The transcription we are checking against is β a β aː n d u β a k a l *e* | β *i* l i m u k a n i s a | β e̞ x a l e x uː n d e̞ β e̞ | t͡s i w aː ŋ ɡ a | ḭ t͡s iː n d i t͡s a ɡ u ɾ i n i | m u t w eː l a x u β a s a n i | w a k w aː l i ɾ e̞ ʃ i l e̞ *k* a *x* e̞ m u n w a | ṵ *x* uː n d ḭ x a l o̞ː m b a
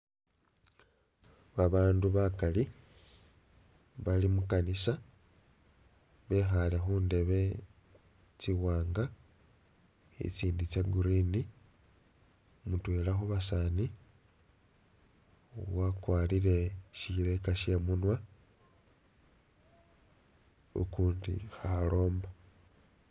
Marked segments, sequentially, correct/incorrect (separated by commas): incorrect, incorrect, correct, incorrect, incorrect